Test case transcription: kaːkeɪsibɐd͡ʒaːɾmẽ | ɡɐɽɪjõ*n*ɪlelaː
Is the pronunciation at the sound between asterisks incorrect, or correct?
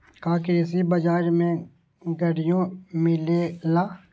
incorrect: m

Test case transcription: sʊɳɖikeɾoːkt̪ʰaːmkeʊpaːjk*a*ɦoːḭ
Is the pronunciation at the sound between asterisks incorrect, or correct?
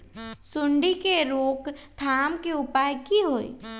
incorrect: i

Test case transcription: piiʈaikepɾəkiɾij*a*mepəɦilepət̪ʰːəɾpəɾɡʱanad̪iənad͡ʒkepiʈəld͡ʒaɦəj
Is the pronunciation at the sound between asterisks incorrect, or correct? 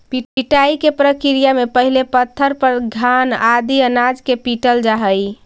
correct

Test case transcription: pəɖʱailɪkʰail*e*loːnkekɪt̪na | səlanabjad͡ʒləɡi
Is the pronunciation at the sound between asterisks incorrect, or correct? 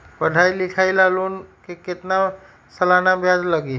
incorrect: a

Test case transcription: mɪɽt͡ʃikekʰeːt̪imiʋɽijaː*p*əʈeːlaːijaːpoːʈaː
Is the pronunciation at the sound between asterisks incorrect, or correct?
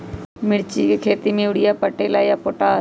correct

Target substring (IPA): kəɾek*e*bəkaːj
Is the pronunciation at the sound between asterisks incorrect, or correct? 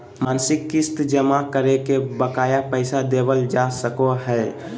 correct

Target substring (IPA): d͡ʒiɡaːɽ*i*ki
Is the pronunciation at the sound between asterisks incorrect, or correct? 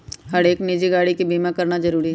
correct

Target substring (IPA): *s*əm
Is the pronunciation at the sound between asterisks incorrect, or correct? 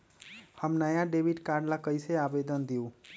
incorrect: h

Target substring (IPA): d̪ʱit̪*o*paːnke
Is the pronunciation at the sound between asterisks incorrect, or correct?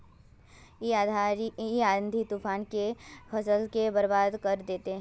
incorrect: u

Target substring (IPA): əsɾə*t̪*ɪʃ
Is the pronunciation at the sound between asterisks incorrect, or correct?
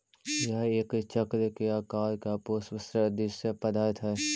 incorrect: d̪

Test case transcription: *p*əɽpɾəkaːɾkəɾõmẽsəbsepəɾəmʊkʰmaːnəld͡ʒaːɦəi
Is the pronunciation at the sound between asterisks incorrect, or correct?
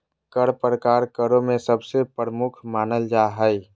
incorrect: k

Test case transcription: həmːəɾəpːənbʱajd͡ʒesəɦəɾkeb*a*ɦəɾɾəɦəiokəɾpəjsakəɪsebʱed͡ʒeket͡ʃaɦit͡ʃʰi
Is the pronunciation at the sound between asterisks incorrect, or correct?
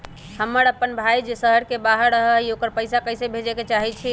correct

